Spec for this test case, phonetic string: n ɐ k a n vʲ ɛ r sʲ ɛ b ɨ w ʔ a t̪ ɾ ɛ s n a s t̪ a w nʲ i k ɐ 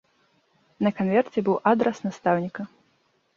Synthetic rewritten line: n ɐ k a n vʲ ɛ r t͡sʲ ɛ b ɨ w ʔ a d̪ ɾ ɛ s n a s t̪ a w nʲ i k ɐ